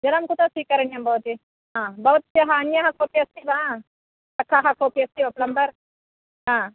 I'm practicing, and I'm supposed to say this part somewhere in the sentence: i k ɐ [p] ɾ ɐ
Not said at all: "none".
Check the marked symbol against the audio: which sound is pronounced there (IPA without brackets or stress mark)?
none